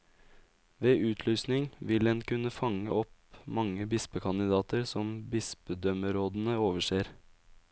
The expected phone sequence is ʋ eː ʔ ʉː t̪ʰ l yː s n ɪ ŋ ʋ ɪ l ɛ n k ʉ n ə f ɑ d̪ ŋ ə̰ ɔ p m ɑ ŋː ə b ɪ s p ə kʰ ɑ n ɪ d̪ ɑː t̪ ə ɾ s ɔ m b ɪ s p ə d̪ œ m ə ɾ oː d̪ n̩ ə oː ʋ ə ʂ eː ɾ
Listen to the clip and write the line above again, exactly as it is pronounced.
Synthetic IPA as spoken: ʋ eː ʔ ʉː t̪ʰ l yː s n ɪ ŋ ʋ ɪ l ɛ n k ʉ n ə f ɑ ŋ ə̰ ɔ p m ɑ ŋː ə b ɪ s p ə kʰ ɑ n ɪ d̪ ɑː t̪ ə ɾ s ɔ m b ɪ s p ə d̪ œ m ə ɾ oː d̪ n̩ ə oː ʋ ə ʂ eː ɾ